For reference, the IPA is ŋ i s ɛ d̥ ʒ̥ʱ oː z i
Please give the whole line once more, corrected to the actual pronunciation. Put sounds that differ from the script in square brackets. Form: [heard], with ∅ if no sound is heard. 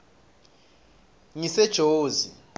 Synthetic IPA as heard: ŋ i s ɛ d̥ ʒ̥ʱ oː z i